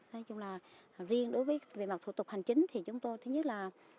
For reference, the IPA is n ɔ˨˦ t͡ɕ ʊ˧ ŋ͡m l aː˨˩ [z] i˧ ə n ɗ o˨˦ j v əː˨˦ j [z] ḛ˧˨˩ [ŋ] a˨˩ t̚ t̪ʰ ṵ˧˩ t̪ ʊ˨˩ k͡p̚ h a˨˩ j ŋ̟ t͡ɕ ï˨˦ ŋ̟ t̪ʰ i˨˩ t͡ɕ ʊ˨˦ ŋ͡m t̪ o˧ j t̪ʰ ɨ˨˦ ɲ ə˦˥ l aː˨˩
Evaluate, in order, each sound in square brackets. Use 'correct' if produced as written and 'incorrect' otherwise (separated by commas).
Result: correct, incorrect, incorrect